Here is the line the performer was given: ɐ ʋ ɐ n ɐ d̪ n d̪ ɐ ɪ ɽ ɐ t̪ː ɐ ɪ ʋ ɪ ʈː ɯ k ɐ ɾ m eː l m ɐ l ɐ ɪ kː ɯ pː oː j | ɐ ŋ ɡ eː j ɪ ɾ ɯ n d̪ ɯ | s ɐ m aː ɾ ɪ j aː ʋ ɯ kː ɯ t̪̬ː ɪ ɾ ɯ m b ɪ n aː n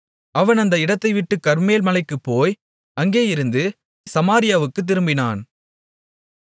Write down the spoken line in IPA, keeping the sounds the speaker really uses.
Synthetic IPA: ɐ ʋ ɐ n ɐ n d̪ ɐ ɪ ɽ ɐ t̪ː ɐ ɪ ʋ ɪ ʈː ɯ k ɐ ɾ m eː l m ɐ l ɐ ɪ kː ɯ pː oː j | ɐ ŋ ɡ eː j ɪ ɾ ɯ n d̪ ɯ | s ɐ m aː ɾ ɪ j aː ʋ ɯ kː ɯ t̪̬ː ɪ ɾ ɯ m b ɪ n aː n